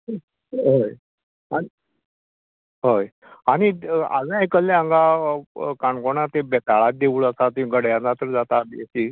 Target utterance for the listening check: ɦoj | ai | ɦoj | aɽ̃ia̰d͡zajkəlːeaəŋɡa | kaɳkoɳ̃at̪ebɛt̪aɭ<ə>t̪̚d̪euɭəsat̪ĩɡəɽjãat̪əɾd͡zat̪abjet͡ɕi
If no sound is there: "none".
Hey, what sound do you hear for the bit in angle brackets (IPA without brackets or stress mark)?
a